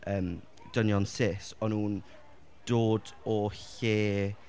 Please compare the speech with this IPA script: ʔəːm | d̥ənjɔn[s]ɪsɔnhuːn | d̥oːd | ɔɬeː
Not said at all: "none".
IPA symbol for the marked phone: s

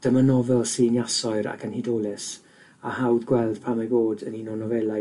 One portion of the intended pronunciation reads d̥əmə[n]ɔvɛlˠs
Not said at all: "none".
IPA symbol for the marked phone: n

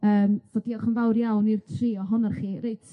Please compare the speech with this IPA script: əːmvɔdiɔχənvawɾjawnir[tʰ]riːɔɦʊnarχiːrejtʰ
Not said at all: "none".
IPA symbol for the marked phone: tʰ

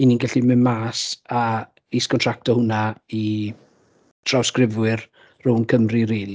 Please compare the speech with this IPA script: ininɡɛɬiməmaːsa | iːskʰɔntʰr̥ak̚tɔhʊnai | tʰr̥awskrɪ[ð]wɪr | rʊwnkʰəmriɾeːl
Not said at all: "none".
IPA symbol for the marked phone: v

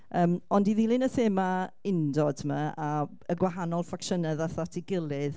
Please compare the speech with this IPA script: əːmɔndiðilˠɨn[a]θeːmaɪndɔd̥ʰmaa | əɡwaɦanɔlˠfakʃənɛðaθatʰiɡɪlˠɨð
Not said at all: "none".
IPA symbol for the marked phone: ə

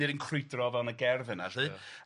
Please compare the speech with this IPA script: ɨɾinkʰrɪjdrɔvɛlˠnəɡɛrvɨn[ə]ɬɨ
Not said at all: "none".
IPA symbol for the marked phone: a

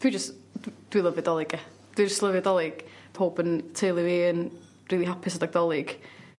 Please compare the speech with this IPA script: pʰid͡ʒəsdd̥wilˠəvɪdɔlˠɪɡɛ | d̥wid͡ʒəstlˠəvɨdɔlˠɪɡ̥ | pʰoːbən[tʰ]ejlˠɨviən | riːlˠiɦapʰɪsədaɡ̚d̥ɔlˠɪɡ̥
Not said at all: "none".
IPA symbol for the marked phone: tʰ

